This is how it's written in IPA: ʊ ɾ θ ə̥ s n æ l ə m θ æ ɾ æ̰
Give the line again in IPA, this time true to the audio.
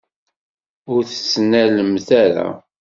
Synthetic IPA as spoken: ʊ ɾ θ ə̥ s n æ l ə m θ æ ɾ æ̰